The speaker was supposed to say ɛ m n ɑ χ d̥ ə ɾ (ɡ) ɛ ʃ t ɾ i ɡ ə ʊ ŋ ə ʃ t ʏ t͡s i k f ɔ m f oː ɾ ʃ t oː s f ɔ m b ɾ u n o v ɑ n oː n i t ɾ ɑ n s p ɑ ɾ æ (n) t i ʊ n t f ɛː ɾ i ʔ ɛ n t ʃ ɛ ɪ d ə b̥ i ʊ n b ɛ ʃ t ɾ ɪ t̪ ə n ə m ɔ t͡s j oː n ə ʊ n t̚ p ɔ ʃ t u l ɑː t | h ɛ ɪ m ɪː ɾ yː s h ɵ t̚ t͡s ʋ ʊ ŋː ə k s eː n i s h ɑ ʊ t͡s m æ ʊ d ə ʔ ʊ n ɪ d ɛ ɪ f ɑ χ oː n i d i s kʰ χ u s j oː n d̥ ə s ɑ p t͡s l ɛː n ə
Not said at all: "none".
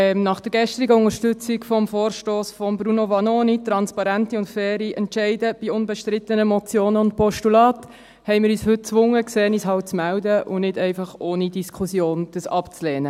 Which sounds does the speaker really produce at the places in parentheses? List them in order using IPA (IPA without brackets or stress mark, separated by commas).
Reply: ɡ, n